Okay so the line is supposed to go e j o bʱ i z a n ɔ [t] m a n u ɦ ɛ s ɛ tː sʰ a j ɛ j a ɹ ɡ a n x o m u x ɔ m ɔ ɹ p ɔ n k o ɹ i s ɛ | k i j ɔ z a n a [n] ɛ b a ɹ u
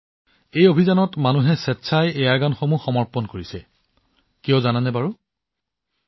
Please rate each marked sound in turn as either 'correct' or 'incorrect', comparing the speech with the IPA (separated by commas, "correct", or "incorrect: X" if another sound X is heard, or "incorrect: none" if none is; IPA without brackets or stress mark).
correct, correct